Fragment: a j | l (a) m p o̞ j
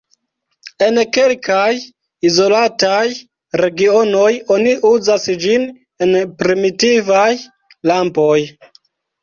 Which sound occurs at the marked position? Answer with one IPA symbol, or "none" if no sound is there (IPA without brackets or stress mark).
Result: a